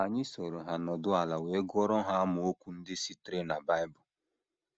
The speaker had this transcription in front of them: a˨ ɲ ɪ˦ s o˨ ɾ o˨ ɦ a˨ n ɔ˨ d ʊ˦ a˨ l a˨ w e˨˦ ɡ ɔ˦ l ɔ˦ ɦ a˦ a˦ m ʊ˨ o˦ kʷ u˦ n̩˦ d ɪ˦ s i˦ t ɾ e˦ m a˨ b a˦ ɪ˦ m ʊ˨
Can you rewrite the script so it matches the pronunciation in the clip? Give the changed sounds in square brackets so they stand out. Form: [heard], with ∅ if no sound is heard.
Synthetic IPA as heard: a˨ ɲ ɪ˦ s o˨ ɾ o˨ ɦ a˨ n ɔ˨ d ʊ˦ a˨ l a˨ w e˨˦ ɡ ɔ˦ [ɾ] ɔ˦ ɦ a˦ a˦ m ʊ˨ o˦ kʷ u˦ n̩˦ d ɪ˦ s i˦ t ɾ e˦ [n] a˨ b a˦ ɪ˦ [b] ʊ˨